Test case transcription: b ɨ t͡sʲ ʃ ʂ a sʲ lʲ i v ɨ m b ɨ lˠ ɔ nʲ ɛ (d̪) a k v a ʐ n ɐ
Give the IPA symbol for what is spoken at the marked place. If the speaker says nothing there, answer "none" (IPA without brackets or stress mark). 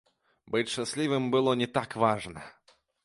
t̪